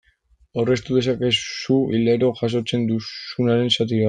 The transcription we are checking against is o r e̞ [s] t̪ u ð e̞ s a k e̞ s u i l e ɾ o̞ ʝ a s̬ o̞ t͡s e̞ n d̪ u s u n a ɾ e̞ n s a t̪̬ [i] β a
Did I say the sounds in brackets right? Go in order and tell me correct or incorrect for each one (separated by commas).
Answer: correct, correct